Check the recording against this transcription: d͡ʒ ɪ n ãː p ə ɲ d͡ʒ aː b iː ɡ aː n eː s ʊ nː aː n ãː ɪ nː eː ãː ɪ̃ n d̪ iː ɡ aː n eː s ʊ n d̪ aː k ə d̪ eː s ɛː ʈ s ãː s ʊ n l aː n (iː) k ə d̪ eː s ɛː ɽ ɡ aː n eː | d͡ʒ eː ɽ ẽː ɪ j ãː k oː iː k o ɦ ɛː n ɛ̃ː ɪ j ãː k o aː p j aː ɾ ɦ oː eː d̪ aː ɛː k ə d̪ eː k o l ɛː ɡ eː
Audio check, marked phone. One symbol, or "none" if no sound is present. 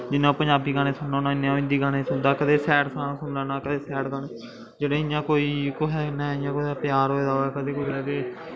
aː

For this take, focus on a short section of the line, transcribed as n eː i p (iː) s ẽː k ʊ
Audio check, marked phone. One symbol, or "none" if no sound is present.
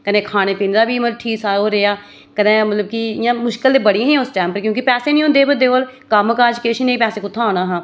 ɛː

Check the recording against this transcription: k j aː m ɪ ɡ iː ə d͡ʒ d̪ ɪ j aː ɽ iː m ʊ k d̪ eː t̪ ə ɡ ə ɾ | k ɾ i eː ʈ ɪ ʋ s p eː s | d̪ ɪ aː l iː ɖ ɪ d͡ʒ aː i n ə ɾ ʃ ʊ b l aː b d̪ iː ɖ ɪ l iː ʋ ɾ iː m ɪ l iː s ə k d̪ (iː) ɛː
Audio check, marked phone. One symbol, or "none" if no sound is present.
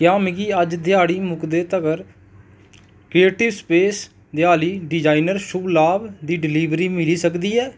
iː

